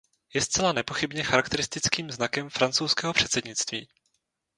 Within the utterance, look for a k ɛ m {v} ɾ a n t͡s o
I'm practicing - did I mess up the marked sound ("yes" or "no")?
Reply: yes